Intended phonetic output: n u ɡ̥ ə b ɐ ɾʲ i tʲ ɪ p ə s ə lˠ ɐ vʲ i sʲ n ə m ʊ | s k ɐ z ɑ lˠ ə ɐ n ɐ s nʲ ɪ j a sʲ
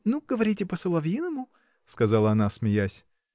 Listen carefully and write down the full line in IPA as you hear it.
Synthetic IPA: n u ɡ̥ ə v ɐ ɾʲ i tʲ ɪ p ə s ə lˠ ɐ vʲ i n ə m ʊ | s k ɐ z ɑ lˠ ə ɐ n a s mʲ ɪ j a sʲ